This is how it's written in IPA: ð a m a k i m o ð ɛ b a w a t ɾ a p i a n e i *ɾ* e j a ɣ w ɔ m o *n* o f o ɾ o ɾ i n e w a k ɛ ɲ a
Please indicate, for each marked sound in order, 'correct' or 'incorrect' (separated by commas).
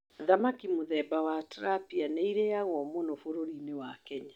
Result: correct, correct